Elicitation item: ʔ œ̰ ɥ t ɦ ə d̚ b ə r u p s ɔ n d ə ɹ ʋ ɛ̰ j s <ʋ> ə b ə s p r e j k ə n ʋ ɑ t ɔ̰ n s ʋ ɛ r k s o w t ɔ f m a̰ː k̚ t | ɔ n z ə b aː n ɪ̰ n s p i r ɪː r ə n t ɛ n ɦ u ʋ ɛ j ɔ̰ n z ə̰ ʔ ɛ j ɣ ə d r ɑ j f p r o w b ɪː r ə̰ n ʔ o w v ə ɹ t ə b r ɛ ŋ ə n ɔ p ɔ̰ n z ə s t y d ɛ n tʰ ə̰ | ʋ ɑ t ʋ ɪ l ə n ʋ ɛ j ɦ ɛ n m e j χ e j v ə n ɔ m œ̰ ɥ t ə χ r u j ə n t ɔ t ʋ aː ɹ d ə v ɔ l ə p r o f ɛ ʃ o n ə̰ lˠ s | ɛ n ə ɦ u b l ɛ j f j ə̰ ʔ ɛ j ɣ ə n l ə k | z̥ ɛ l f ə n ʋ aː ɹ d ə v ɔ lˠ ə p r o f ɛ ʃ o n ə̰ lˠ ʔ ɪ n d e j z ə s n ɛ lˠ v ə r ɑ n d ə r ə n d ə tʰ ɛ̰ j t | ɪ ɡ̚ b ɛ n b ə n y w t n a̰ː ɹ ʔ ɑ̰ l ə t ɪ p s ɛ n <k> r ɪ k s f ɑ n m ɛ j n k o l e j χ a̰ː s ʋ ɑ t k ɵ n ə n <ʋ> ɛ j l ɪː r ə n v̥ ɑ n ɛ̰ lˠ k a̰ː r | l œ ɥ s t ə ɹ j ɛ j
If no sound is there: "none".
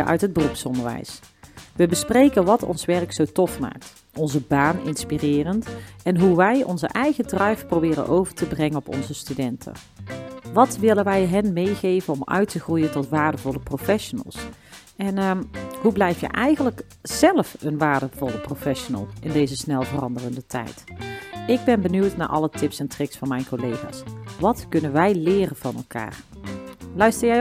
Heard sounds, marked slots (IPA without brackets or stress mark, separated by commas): ʋ, t, ʋ